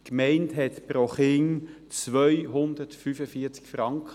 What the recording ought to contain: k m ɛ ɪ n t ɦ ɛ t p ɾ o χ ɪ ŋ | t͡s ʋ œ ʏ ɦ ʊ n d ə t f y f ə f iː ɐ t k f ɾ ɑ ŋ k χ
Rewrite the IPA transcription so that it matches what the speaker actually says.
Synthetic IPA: k m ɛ ɪ n t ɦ ɛ t p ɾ o χ ɪ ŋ | t͡s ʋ œ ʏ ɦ ʊ n d ə t f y f ə f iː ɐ t͡s k f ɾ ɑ ŋ k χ